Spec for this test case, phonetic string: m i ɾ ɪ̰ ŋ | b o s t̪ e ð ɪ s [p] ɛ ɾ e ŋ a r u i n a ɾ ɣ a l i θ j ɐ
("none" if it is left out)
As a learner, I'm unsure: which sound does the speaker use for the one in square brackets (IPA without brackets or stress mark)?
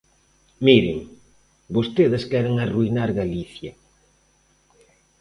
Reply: k